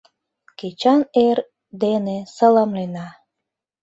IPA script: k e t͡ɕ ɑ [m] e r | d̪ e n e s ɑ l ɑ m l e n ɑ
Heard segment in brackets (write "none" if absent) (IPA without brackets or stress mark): n